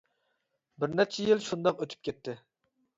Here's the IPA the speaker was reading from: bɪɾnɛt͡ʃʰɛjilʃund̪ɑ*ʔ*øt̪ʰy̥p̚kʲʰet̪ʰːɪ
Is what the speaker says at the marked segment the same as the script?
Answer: no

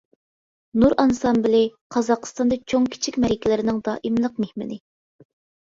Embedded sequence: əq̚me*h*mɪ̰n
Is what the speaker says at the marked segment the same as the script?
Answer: yes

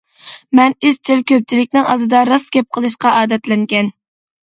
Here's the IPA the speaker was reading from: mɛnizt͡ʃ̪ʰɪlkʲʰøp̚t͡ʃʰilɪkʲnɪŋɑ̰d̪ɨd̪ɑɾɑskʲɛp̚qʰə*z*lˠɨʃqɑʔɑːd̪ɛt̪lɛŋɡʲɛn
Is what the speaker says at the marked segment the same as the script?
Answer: no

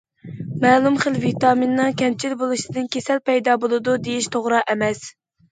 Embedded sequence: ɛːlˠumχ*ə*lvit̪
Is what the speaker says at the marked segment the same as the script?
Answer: yes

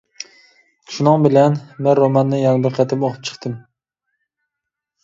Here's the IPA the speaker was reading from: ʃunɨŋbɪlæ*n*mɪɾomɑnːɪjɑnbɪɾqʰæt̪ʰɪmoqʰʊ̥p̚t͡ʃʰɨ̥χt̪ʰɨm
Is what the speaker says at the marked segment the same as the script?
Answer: yes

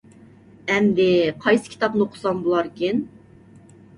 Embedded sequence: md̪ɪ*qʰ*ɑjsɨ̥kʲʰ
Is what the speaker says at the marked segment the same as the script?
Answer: yes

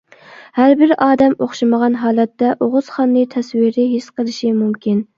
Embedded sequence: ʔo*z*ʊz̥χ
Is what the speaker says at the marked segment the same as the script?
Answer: no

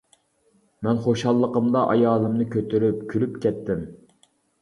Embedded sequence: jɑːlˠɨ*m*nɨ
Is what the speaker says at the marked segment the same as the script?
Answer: yes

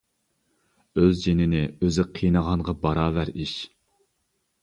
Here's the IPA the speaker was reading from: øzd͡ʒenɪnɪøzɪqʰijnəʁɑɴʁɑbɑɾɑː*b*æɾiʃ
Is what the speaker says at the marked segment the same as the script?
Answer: no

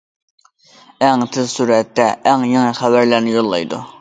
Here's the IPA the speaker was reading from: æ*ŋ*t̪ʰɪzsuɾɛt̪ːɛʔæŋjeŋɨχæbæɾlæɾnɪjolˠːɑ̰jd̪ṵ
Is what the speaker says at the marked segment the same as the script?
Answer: yes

